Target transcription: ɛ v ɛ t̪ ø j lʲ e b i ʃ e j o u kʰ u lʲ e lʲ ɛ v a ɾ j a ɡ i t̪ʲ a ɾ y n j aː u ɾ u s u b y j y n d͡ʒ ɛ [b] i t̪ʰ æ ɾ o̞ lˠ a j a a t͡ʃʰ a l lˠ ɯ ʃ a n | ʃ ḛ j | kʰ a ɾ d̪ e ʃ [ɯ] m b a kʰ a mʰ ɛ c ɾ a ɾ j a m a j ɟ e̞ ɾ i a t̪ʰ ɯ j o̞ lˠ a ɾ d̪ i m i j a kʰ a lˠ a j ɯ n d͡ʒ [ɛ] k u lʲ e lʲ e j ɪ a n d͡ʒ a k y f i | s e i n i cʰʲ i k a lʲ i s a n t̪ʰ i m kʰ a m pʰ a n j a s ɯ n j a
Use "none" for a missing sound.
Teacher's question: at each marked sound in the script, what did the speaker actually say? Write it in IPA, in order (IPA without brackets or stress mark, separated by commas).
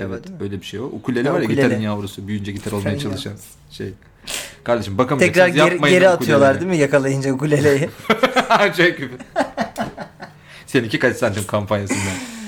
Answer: ɟ, ɯ, a